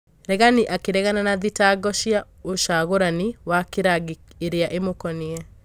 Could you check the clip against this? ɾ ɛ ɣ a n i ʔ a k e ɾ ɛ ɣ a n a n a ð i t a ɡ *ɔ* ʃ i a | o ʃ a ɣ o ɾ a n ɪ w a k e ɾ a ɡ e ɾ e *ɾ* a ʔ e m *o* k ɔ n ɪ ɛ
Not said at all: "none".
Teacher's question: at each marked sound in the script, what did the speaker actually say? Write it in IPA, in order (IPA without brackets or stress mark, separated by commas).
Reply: ɔ, none, o